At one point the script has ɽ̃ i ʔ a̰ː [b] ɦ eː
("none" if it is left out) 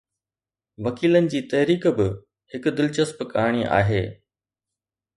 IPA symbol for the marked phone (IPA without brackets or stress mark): none